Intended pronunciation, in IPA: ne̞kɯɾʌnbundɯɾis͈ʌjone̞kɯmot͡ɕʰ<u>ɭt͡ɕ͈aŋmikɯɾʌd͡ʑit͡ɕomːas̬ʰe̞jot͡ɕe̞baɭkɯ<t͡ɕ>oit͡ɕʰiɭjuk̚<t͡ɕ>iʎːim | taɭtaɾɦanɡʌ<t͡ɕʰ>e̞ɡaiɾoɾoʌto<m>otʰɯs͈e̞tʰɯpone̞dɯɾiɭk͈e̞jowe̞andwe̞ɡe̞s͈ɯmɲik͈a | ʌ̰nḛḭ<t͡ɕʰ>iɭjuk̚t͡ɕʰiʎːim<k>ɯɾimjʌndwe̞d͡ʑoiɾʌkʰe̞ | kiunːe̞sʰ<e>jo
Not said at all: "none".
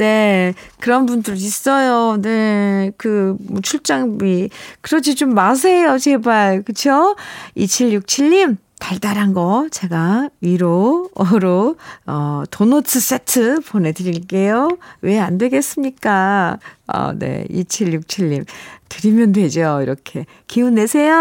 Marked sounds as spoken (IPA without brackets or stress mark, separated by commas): u, t͡ɕʰ, t͡ɕʰ, t͡ɕ, n, t͡ɕʰ, t, e